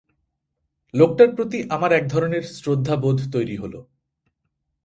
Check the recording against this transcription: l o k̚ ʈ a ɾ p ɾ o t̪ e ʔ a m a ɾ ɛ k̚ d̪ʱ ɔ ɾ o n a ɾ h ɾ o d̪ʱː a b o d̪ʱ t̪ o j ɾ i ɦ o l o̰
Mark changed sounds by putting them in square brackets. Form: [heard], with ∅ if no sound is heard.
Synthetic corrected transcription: l o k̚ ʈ a ɾ p ɾ o t̪ [i] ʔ a m a ɾ ɛ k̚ d̪ʱ ɔ ɾ o n [e] ɾ [s] ɾ o d̪ʱː a b o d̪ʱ t̪ o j ɾ i ɦ o l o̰